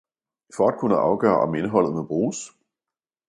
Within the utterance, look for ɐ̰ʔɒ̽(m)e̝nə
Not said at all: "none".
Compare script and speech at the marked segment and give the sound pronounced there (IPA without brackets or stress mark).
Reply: m